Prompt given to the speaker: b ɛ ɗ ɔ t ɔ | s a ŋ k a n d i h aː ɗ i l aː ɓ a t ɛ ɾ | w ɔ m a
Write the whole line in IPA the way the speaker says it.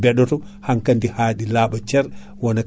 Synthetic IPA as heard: b ɛ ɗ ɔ t ɔ | h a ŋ k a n d i h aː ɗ i l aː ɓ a t͡ʃ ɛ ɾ | w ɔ n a